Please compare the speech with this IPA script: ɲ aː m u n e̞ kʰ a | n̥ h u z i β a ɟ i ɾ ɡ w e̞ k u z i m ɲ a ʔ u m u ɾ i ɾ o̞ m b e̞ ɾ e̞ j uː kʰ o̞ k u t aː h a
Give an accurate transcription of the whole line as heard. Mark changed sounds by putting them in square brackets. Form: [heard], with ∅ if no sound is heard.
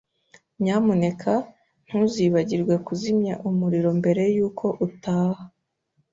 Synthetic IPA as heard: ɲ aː m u n e̞ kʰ a | n̥ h u z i β a ɟ i ɾ ɡ w e̞ k u z i m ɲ a ʔ u m u ɾ i ɾ o̞ m b e̞ ɾ e̞ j uː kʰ o̞ [ʔ] u t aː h a